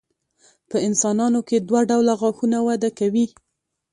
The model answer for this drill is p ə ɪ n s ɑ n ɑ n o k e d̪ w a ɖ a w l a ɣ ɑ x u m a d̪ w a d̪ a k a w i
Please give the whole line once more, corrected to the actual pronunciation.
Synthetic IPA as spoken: p ə ɪ n s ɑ n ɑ n o k e d̪ w a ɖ a w l a ɣ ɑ x u n a w a d̪ a k a w i